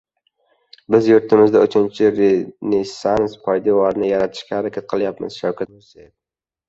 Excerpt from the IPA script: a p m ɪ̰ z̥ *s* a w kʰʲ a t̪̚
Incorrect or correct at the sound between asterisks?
incorrect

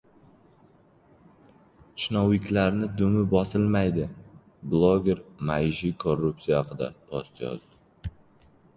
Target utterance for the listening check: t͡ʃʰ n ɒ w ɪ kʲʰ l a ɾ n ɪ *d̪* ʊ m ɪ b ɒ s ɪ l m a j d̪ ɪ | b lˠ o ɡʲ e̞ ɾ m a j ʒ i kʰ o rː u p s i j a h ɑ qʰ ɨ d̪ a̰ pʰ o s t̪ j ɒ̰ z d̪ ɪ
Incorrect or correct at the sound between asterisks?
correct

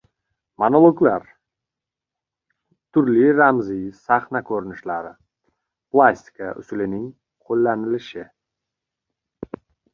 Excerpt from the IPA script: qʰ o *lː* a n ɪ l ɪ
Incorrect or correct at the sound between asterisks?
correct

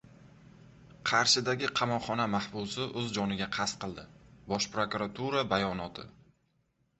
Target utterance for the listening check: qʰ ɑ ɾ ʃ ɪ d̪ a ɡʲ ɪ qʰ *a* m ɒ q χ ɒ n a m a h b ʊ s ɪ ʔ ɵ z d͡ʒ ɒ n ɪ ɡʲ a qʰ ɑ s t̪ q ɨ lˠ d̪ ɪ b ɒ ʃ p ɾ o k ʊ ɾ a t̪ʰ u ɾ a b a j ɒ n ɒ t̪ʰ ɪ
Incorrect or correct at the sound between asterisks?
incorrect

